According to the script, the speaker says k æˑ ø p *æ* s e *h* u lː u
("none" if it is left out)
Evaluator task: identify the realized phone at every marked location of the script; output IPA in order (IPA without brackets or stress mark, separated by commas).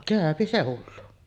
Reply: i, h